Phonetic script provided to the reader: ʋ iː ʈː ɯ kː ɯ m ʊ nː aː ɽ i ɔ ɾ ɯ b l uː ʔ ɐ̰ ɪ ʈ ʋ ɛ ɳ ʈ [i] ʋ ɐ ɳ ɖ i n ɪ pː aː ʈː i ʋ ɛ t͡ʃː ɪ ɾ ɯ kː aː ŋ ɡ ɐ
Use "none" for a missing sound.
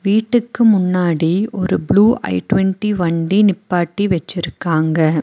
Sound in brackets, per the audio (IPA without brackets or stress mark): i